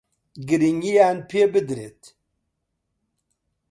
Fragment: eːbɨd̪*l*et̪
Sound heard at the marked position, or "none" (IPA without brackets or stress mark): ɾ